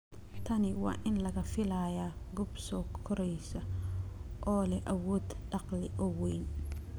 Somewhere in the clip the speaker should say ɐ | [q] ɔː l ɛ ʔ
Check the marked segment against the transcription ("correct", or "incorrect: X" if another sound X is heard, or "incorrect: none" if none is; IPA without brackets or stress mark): incorrect: ʔ